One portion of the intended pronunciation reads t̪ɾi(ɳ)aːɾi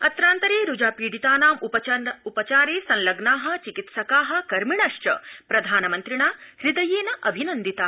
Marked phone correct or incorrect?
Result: correct